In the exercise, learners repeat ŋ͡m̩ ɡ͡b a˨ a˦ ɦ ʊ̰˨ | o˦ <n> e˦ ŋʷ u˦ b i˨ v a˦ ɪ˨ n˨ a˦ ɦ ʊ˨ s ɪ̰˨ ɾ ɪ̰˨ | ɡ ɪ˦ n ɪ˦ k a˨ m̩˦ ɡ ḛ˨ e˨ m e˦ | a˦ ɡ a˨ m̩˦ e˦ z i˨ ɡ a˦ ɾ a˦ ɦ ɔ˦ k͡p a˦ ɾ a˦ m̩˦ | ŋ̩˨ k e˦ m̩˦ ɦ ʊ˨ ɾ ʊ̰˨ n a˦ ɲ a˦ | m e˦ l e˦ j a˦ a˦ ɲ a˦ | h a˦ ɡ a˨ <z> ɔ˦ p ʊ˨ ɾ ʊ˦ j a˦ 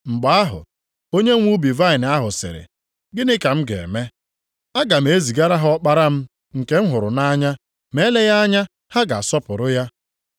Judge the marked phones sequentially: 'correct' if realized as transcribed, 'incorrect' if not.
incorrect, incorrect

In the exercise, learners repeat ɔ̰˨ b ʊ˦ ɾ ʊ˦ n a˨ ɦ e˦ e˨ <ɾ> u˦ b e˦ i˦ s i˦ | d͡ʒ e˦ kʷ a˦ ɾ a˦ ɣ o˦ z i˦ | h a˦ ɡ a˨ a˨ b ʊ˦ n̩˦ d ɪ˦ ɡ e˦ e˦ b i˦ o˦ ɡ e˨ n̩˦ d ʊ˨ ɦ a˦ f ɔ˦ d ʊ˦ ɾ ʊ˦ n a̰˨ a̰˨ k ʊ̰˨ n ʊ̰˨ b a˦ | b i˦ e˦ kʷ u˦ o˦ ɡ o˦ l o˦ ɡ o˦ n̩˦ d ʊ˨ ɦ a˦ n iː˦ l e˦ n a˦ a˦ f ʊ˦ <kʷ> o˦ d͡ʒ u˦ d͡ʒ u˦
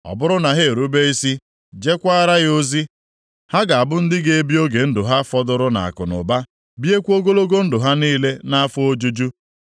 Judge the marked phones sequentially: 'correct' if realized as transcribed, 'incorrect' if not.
correct, incorrect

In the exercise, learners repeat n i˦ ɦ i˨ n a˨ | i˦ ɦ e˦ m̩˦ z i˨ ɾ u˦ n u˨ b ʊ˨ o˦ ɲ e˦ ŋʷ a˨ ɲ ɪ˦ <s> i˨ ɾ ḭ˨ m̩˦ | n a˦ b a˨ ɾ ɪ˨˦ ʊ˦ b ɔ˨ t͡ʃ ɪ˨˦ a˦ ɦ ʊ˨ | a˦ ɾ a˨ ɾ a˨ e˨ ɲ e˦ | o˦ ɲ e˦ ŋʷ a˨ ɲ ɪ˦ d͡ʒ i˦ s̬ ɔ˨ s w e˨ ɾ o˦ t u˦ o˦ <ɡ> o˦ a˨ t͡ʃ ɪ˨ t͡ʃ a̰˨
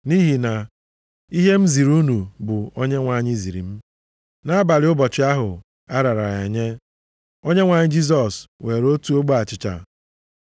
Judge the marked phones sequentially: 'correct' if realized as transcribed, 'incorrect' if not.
incorrect, incorrect

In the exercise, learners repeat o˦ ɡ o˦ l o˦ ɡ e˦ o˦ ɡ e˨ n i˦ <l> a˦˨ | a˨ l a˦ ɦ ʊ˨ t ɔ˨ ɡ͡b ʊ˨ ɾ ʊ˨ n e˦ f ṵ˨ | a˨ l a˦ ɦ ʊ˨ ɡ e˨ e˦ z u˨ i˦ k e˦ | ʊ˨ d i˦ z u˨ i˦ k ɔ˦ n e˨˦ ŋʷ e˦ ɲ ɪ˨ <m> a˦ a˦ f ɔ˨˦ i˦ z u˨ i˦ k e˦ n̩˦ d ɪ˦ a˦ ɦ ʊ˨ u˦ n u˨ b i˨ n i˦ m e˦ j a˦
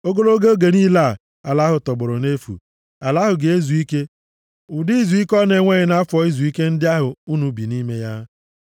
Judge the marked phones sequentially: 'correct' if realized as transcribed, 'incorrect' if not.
correct, incorrect

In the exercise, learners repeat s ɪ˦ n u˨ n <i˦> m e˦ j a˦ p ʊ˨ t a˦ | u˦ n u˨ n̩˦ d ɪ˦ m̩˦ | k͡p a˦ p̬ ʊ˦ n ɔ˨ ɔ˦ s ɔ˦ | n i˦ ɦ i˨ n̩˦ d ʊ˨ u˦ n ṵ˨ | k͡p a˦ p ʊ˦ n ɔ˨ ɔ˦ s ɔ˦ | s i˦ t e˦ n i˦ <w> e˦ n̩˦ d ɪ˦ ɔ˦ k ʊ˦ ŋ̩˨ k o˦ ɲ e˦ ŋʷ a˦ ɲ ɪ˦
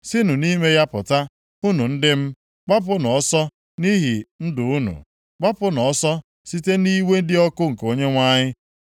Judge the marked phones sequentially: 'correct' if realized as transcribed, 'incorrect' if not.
correct, correct

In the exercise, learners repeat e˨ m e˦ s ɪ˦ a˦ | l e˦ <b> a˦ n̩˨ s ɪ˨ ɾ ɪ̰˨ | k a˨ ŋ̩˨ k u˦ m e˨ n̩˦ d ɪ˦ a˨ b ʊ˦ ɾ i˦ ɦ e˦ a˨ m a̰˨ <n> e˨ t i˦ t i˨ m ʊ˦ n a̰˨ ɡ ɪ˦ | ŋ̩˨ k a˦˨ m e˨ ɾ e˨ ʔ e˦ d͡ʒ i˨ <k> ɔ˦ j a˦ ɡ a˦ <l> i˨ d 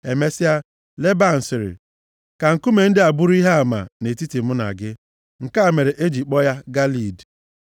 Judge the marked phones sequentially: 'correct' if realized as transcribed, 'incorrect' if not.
correct, correct, incorrect, correct

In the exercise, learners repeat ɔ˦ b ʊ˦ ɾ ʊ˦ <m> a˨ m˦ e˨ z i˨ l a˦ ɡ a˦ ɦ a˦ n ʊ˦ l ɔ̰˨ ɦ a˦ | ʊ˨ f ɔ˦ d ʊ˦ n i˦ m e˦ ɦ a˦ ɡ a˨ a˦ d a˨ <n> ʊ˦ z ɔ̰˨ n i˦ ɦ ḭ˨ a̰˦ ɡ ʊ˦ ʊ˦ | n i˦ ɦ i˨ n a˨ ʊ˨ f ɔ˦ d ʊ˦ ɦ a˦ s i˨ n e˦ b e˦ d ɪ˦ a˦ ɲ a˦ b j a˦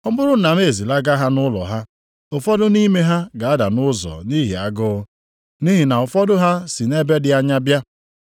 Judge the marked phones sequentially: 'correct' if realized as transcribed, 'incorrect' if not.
incorrect, correct

